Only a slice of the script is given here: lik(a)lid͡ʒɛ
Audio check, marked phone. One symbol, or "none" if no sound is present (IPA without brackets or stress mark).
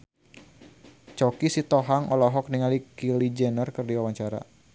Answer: i